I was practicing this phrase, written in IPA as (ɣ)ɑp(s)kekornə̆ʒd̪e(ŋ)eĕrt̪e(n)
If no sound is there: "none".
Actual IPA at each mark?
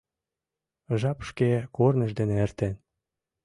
ʒ, ʃ, n, n

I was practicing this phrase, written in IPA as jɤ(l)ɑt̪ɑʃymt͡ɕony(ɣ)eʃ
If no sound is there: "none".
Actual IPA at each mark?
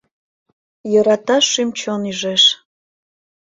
ɾ, ʒ

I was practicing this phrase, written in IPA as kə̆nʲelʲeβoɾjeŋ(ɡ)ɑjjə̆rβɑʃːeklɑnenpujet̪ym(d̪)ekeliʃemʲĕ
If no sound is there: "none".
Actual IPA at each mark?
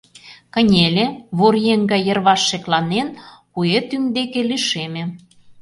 ɡ, d̪

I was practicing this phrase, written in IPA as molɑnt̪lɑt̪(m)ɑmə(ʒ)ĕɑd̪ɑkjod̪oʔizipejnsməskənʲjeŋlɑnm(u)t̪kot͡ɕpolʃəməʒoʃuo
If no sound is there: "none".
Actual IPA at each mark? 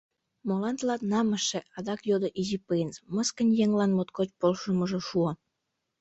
n, ʃ, o

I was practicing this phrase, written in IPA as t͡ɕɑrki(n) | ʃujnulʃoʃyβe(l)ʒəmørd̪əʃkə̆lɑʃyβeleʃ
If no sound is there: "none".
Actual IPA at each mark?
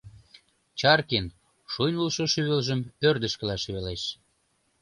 n, l

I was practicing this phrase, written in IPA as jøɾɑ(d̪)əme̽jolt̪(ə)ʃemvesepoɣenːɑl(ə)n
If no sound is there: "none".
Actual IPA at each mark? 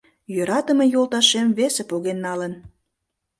t̪, ɑ, ə

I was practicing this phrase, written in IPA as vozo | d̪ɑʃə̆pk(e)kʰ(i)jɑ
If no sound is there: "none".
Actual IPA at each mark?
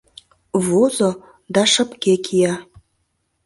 e, i

